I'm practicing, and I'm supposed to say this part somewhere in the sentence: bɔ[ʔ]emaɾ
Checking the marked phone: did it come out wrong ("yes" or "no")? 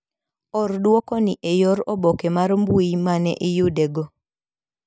yes